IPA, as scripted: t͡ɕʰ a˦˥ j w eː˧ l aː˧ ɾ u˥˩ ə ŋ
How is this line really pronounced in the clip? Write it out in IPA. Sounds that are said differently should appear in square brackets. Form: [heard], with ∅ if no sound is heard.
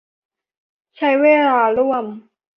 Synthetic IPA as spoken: t͡ɕʰ a˦˥ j w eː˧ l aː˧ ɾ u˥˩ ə [m]